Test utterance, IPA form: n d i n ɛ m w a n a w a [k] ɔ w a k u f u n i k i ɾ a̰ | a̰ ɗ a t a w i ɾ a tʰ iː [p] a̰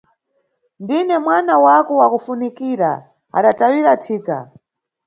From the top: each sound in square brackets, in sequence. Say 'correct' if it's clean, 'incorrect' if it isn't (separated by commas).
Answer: correct, incorrect